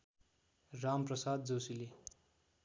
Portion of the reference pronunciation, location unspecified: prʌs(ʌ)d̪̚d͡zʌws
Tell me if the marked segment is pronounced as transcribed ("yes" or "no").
no